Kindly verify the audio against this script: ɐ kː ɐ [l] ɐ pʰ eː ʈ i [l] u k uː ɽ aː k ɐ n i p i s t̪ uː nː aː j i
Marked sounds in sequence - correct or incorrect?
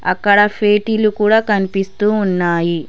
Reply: incorrect: ɽ, correct

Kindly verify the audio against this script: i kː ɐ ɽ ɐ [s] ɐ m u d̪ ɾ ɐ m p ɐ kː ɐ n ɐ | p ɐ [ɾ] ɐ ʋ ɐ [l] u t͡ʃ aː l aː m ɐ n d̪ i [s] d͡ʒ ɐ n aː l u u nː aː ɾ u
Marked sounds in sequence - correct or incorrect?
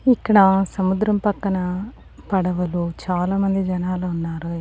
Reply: correct, incorrect: ɽ, correct, incorrect: none

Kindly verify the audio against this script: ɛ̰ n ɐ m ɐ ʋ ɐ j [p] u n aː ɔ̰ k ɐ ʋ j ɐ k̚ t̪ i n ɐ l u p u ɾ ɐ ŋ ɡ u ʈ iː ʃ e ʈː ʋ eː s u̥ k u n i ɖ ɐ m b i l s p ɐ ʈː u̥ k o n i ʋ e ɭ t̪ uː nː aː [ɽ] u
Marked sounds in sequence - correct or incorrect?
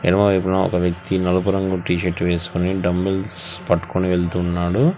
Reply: correct, correct

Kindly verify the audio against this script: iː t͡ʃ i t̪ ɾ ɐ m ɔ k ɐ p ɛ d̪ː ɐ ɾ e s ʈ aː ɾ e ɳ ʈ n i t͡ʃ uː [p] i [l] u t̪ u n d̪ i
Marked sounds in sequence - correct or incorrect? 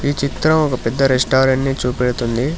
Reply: correct, incorrect: ɽ

